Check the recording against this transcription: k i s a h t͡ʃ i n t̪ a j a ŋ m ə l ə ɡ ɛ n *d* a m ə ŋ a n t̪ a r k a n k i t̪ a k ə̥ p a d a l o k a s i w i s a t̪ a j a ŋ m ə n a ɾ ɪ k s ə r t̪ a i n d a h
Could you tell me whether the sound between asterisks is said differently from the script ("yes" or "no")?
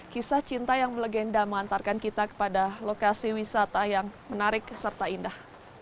no